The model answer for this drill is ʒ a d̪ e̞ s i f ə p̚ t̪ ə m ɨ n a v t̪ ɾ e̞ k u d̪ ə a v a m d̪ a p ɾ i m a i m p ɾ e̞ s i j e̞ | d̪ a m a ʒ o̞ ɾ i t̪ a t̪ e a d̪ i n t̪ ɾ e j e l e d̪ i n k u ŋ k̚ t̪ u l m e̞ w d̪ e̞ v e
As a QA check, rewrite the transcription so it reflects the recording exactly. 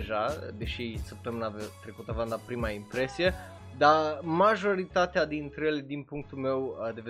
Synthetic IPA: ʒ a d̪ e̞ ʃ i s ə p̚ t̪ ə m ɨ n a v t̪ ɾ e̞ k u t̪ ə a v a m d̪ a p ɾ i m a i m p ɾ e̞ s i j e̞ | d̪ a m a ʒ o̞ ɾ i t̪ a t̪ e a d̪ i n t̪ ɾ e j e l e d̪ i n p u ŋ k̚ t̪ u l m e̞ w d̪ e̞ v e